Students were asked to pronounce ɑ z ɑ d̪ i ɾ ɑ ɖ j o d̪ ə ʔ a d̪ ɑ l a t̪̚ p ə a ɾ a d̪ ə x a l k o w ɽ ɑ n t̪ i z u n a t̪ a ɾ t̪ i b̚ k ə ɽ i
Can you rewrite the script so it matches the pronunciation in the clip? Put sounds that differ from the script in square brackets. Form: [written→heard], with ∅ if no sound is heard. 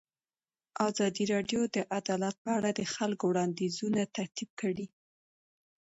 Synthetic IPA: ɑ z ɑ d̪ i ɾ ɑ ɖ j o d̪ ə ʔ a d̪ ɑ l a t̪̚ p ə a [ɾ→ɽ] a d̪ ə x a l k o w ɽ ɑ n [t̪→d̪] i z u n a t̪ a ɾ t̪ i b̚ k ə ɽ i